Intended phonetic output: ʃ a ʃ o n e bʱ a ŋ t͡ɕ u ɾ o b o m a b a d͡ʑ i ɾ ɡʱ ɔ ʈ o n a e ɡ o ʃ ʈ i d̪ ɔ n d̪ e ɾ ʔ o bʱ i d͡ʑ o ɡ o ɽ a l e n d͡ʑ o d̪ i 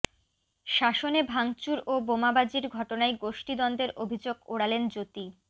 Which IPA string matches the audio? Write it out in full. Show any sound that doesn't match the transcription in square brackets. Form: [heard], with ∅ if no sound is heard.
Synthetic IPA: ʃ a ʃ o n e bʱ a ŋ t͡ɕ u ɾ o b o m a b a d͡ʑ i ɾ ɡʱ ɔ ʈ o n a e ɡ o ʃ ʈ i d̪ ɔ n d̪ e ɾ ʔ o bʱ i d͡ʑ o ɡ o ɽ a l e n d͡ʑ o [t̪] i